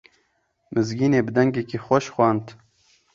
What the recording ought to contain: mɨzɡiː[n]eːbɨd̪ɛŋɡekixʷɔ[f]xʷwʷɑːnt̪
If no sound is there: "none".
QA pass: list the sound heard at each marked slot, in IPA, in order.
n, ʃ

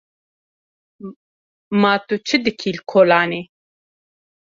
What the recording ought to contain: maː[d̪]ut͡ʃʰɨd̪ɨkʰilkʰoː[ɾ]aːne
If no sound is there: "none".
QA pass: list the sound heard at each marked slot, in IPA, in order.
t̪, l

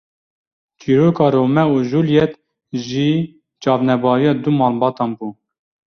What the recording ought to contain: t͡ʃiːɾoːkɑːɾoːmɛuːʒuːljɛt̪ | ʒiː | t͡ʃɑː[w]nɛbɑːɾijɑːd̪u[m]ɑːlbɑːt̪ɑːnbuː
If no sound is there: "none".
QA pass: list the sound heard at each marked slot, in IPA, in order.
v, m

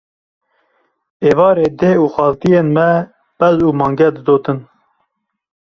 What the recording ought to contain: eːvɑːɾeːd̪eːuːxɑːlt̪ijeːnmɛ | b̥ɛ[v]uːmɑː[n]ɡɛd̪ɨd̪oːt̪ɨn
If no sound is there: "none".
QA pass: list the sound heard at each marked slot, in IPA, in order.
z, ŋ

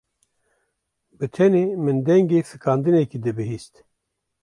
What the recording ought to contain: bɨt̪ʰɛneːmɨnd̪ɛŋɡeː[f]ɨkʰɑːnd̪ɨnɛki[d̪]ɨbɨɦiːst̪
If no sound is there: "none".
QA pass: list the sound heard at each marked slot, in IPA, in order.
f, d̪

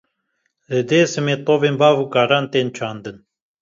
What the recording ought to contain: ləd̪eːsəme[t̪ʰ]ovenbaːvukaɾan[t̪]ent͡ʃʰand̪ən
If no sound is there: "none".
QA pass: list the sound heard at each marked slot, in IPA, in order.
t̪, t̪

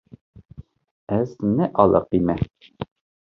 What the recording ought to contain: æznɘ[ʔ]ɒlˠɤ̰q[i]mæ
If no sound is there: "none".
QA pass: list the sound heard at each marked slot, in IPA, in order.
ʔ, i

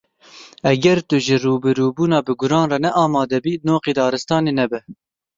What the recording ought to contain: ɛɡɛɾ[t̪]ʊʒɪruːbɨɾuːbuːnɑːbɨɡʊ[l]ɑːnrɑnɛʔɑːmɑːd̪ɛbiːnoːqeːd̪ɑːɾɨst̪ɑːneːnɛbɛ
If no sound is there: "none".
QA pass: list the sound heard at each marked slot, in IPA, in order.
t̪, ɾ

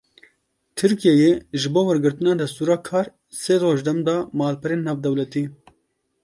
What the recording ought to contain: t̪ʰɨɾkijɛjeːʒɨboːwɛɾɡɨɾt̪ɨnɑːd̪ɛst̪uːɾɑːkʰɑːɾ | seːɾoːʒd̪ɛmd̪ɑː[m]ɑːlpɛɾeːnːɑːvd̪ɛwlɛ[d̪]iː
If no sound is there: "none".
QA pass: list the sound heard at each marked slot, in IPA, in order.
m, t̪

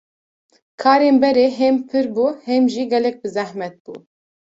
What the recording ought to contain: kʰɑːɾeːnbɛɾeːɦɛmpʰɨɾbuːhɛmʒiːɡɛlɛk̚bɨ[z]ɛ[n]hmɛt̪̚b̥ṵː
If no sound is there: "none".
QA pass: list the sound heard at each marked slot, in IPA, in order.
z, none

